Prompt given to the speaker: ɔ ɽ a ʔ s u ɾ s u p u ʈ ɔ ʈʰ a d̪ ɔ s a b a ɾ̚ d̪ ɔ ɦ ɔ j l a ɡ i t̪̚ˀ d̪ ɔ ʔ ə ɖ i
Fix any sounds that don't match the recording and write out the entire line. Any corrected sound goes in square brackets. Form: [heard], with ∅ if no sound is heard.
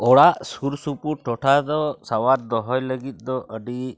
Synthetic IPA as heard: ɔ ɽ a ʔ s u ɾ s u p u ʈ ɔ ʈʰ a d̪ ɔ s a [w] a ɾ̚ d̪ ɔ ɦ ɔ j l [ə] ɡ i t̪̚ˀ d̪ ɔ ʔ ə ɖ i